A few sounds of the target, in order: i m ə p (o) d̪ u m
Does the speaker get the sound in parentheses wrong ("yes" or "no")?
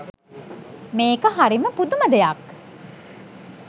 yes